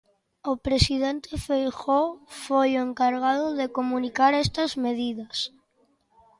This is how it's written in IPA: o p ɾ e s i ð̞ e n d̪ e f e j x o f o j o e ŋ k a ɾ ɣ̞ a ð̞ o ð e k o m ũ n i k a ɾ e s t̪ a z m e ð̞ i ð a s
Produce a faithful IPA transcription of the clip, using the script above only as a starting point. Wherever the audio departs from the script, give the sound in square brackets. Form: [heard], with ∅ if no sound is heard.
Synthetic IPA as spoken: o p ɾ e s i ð̞ e n [t̪] e f e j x o f o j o e ŋ k a ɾ ɣ̞ a ð̞ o ð e k o m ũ n i k a ɾ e s t̪ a z m e ð̞ i ð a s